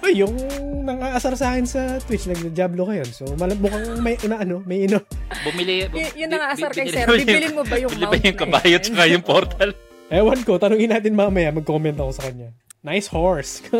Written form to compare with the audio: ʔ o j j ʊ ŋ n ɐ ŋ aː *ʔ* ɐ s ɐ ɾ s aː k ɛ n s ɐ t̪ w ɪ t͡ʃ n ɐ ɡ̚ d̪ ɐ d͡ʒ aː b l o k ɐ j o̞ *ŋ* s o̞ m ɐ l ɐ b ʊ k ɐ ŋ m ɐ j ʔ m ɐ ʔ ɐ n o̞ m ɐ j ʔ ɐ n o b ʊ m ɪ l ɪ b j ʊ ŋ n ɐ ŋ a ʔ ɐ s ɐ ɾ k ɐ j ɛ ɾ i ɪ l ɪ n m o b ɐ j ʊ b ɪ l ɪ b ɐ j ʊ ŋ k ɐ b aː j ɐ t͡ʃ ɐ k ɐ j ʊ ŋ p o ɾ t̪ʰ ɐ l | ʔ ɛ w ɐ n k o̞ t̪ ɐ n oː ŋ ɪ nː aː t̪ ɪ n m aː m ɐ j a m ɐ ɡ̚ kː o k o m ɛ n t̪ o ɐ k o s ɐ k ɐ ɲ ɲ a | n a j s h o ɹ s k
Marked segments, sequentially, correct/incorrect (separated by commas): correct, incorrect